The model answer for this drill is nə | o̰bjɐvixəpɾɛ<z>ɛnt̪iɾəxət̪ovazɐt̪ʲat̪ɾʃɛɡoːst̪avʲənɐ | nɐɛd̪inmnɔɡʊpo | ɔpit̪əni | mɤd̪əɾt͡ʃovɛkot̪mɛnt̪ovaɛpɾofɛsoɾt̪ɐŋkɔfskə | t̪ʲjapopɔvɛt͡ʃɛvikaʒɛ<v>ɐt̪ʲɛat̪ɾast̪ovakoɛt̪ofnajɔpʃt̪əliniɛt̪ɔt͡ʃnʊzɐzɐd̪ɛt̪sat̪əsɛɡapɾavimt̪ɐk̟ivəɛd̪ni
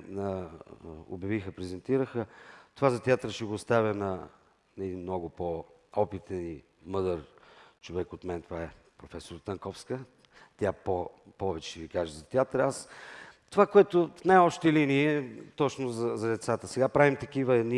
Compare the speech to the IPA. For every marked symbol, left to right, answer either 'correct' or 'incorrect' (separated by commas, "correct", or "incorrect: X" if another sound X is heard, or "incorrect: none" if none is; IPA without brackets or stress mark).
correct, incorrect: z